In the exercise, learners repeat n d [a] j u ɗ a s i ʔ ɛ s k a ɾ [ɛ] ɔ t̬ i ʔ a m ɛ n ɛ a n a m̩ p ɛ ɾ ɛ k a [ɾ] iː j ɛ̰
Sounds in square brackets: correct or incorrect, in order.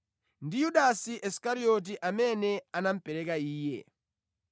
incorrect: i, incorrect: i, incorrect: none

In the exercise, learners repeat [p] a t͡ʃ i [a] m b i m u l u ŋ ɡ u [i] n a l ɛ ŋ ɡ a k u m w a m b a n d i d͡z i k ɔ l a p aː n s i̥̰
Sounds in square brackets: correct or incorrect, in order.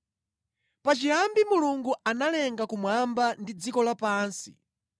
correct, correct, incorrect: a

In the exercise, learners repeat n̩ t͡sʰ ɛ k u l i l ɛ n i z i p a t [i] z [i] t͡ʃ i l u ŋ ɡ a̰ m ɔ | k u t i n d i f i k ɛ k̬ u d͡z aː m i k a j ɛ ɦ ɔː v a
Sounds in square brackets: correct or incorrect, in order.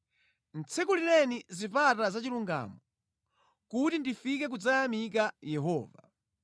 incorrect: a, incorrect: a

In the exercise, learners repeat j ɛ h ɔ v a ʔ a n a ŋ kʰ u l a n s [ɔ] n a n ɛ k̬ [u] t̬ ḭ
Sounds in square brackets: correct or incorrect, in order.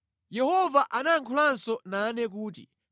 correct, incorrect: uː

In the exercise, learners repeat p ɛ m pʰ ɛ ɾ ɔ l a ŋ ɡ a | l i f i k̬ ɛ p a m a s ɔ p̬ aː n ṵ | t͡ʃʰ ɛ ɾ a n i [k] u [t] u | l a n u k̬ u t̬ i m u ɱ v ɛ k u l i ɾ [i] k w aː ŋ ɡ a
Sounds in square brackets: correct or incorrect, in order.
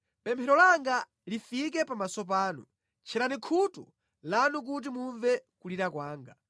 incorrect: kʰ, correct, incorrect: a

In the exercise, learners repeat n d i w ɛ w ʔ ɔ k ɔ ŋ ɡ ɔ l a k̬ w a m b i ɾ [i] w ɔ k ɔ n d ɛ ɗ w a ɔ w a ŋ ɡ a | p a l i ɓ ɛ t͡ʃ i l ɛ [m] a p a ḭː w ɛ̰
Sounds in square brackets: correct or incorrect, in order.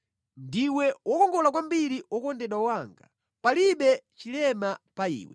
correct, correct

